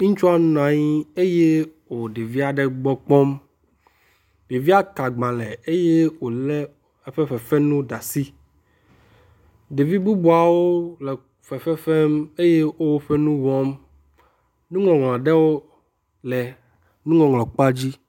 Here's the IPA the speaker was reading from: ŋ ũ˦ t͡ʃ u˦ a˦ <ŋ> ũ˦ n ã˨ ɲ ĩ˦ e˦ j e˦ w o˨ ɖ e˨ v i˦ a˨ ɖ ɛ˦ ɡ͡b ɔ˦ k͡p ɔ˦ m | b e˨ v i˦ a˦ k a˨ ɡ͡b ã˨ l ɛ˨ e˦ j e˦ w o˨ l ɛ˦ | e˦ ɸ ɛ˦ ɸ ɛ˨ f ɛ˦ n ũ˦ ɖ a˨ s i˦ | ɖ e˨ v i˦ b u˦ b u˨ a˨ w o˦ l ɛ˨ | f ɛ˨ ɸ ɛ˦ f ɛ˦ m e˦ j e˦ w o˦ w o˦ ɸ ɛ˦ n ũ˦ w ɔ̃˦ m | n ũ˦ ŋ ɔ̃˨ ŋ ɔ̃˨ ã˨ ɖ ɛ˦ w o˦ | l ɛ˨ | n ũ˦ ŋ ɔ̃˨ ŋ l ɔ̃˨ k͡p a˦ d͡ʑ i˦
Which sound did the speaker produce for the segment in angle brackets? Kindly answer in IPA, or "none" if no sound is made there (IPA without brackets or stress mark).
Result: n